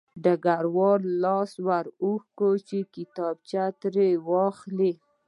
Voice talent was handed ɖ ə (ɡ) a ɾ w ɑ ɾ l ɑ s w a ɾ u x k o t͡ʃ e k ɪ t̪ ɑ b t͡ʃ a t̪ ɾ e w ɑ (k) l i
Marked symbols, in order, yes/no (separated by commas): yes, no